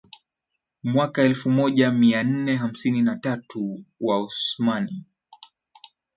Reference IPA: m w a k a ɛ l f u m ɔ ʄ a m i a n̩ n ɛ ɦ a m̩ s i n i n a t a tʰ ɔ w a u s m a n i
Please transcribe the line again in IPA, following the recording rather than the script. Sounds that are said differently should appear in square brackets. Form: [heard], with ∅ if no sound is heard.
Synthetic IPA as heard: m w a k a ɛ l f u m ɔ ʄ a m i a n̩ n ɛ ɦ a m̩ s i n i n a t a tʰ [u] w a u s m a n i